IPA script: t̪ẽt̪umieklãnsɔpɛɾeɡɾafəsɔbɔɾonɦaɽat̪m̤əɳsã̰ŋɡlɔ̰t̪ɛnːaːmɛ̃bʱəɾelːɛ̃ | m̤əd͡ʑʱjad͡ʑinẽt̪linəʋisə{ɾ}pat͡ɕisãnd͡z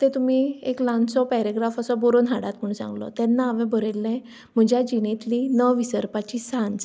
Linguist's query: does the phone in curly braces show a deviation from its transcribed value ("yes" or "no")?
no